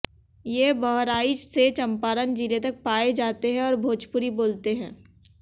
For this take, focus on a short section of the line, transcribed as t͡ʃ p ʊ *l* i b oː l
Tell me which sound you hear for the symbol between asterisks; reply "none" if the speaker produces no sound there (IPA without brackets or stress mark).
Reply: ɾ